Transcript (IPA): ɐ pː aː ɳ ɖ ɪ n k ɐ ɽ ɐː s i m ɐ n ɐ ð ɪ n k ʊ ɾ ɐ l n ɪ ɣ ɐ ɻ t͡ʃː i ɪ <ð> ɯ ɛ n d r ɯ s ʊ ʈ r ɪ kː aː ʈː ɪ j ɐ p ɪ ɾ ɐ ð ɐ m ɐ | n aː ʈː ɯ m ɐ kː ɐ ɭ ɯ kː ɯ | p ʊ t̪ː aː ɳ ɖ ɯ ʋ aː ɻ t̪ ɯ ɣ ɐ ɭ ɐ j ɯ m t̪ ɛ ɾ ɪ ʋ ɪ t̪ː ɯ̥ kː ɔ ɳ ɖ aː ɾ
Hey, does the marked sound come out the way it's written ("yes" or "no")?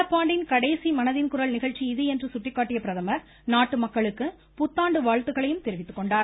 yes